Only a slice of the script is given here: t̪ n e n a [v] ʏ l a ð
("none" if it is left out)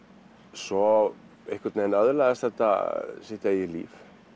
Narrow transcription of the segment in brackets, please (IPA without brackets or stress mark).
ð